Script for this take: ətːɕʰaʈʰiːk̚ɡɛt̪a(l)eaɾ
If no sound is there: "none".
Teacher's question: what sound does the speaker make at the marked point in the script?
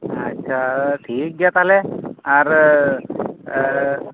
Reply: l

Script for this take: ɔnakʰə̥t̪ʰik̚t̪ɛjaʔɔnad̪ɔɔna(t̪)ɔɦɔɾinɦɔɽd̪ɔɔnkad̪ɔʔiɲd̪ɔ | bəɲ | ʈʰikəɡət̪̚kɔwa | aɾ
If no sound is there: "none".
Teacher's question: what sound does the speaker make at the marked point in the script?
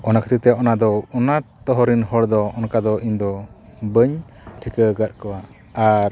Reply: t̪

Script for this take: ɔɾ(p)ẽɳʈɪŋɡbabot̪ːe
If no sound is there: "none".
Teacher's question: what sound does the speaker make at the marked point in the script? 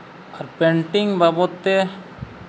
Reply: p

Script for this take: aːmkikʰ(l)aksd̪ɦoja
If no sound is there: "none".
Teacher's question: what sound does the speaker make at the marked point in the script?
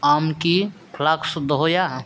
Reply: l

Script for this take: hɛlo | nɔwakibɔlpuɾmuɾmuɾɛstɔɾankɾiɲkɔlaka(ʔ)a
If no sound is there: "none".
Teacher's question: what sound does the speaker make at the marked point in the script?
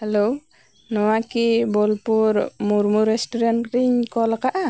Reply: ʔ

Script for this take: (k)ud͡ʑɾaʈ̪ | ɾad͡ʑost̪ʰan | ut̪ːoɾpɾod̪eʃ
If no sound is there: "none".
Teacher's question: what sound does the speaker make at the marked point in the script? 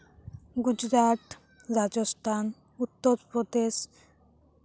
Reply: ɡ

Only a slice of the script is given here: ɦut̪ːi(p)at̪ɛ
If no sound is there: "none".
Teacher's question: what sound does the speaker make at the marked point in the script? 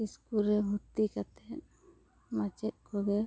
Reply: k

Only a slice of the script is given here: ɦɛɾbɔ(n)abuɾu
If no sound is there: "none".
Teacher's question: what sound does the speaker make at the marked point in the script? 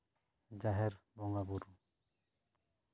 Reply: ŋ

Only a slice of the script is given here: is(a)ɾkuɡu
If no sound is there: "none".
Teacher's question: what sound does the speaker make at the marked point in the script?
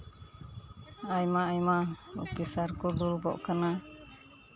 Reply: a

